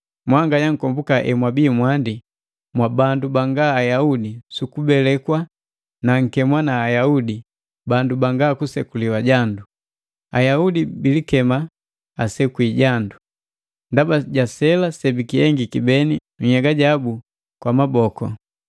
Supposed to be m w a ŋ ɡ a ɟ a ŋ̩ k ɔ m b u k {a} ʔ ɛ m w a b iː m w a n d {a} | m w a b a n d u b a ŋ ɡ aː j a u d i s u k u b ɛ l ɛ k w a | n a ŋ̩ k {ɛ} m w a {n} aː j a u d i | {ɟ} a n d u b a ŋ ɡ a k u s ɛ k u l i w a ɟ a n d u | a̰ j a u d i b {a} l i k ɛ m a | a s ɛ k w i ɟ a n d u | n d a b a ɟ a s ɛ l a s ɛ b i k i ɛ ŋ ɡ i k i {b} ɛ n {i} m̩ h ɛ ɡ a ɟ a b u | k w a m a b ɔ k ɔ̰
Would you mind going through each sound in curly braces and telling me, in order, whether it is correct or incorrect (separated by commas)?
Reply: correct, incorrect, correct, correct, incorrect, incorrect, correct, correct